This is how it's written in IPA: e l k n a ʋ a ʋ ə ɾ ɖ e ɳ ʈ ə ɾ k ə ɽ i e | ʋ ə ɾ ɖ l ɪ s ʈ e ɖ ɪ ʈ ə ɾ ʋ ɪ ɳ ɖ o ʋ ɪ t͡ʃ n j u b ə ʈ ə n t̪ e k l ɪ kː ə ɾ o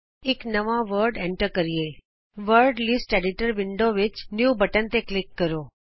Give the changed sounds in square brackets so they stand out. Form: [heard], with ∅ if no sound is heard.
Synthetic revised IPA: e [∅] k n [ə] ʋ a ʋ ə ɾ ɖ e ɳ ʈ ə ɾ k ə [ɾ] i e | ʋ ə ɾ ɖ l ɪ s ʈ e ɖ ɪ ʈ ə ɾ ʋ ɪ ɳ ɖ o ʋ ɪ t͡ʃ n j u b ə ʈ ə n t̪ e k l ɪ kː ə ɾ o